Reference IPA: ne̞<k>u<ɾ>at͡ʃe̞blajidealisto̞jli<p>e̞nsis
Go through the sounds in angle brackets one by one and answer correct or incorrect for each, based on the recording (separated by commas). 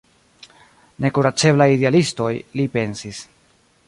correct, correct, correct